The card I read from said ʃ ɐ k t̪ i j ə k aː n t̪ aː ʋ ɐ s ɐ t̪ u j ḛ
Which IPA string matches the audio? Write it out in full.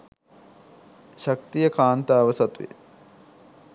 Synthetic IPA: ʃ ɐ k t̪ i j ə k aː n t̪ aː ʋ ə s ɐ t̪ u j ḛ